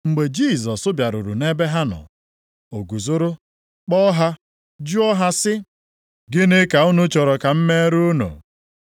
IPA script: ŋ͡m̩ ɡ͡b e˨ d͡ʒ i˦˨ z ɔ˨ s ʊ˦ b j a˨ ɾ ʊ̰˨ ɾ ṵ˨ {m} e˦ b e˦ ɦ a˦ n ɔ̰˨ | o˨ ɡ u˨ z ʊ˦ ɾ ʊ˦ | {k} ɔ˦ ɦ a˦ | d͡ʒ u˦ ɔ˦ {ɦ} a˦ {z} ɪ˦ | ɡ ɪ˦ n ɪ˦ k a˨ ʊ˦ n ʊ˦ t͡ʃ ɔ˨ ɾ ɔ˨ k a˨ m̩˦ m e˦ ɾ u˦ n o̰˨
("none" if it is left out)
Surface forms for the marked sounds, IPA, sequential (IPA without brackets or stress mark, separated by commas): n, k͡p, ɦ, s